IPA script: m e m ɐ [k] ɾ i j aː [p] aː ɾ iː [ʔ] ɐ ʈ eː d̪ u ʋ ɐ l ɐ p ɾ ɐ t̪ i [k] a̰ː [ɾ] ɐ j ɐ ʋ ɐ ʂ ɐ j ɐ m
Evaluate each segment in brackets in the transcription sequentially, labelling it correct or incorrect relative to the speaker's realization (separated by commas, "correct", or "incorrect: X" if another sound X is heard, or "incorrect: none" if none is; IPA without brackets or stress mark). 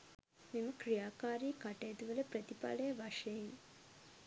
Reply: correct, incorrect: k, incorrect: k, incorrect: p, incorrect: l